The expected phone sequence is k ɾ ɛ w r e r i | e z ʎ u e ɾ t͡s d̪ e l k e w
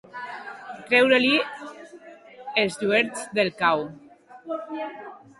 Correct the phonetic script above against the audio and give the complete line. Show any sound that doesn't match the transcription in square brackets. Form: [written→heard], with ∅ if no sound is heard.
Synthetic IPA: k ɾ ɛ w [r→ɾ] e [r→l] i | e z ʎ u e ɾ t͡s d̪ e l k [e→a] w